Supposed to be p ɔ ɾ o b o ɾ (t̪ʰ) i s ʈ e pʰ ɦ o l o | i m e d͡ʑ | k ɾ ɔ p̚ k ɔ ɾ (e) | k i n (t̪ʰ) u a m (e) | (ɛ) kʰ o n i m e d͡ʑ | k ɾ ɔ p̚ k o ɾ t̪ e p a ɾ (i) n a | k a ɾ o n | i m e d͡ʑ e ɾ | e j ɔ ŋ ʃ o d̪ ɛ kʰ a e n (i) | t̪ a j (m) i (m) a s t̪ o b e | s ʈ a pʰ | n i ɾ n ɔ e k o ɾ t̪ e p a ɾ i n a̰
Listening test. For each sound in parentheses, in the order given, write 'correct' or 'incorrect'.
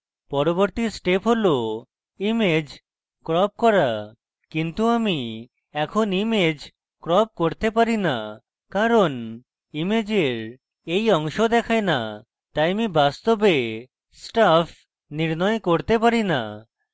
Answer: incorrect, incorrect, incorrect, incorrect, correct, correct, incorrect, correct, incorrect

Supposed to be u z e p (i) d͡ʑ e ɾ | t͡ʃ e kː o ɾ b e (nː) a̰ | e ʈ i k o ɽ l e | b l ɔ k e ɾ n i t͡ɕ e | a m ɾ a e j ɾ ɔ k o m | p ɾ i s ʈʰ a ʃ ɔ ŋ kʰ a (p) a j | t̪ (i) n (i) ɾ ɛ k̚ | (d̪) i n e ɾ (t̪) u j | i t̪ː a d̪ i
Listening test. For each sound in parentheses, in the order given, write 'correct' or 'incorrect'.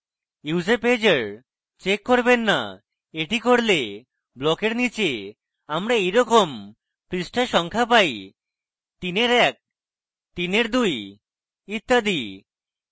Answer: incorrect, correct, correct, correct, incorrect, incorrect, incorrect

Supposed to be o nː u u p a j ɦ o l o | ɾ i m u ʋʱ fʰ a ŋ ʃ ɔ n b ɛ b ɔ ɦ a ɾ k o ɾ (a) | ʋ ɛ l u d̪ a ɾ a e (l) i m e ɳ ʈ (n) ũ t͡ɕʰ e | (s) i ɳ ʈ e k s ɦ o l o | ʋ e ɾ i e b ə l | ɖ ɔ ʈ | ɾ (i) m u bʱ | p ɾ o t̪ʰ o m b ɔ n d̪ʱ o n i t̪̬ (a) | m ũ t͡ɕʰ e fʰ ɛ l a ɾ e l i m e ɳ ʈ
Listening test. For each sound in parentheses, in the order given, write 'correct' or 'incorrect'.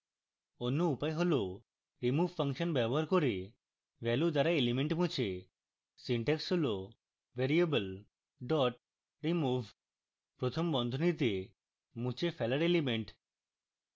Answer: incorrect, correct, incorrect, correct, correct, incorrect

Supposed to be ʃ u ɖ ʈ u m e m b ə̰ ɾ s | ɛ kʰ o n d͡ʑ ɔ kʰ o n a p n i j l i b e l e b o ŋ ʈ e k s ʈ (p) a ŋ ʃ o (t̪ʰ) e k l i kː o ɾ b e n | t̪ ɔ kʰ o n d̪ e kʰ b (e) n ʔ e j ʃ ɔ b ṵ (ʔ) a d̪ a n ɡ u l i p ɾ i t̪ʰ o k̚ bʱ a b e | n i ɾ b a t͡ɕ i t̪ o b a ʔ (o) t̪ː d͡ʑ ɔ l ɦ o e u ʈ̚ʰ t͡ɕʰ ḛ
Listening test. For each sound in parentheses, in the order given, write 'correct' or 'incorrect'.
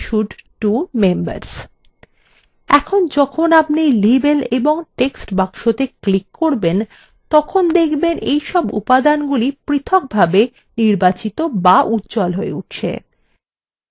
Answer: incorrect, incorrect, correct, incorrect, incorrect

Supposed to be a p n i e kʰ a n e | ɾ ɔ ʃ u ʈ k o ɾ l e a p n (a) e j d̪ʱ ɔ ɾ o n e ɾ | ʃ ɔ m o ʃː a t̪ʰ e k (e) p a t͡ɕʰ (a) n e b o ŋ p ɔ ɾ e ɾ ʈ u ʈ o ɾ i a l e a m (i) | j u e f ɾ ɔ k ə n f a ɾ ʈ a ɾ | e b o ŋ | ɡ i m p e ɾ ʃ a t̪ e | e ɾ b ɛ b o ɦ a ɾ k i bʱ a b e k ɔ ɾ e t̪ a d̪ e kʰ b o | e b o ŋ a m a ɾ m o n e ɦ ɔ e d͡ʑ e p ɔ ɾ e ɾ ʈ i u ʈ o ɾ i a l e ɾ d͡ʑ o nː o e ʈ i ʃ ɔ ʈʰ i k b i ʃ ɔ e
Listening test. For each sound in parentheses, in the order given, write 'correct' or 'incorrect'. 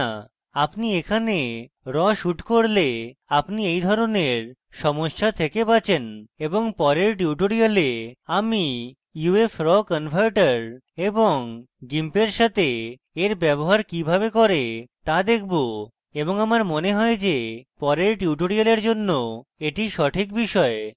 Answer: incorrect, correct, incorrect, correct

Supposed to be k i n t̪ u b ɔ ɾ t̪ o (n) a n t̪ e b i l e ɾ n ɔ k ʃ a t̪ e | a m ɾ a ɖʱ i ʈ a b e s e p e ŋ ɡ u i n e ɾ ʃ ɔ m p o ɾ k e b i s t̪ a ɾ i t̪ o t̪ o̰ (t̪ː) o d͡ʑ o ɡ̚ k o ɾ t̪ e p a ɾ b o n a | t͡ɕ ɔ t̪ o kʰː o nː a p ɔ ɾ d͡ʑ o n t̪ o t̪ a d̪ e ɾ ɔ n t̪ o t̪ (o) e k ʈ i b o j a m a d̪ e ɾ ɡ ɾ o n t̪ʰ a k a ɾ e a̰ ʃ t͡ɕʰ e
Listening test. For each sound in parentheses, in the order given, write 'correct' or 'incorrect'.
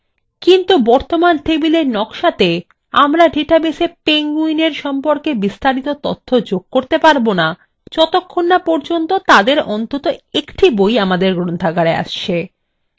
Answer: incorrect, incorrect, correct

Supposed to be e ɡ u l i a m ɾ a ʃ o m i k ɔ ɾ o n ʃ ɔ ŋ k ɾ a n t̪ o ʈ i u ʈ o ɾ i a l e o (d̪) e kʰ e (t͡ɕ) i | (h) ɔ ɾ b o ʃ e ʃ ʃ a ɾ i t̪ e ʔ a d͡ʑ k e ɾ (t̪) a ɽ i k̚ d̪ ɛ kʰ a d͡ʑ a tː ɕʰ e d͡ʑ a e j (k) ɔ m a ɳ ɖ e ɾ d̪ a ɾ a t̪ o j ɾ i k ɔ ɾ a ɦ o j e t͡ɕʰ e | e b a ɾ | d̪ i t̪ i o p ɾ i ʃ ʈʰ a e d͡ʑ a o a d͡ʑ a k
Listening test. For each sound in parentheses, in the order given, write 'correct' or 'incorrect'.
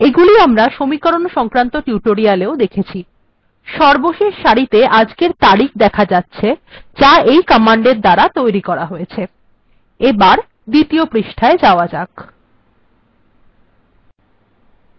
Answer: correct, incorrect, incorrect, correct, correct

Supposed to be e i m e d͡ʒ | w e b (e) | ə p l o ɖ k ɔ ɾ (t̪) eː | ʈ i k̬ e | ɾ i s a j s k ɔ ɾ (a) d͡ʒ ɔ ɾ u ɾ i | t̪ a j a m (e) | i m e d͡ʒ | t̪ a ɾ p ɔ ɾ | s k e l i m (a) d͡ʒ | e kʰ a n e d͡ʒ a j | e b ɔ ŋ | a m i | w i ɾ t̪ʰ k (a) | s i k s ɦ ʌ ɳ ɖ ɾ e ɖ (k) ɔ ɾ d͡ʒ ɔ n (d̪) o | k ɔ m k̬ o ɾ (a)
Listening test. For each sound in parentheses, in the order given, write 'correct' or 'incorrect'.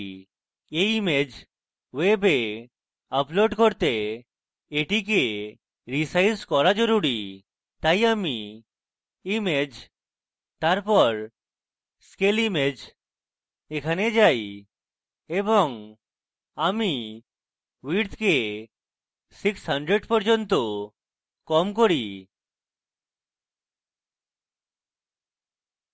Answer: correct, correct, correct, incorrect, incorrect, incorrect, incorrect, incorrect, incorrect

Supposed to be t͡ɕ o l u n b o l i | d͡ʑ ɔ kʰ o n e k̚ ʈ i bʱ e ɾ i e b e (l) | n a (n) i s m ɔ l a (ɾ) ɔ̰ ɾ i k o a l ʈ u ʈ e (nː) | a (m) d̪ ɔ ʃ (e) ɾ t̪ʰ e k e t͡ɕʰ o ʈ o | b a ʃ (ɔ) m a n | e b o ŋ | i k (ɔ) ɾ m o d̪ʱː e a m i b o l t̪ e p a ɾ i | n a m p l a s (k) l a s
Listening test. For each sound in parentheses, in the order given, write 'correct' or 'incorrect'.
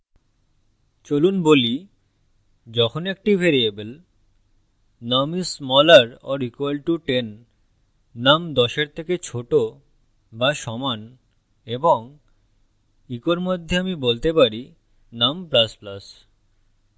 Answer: correct, incorrect, correct, correct, correct, correct, correct, incorrect, incorrect

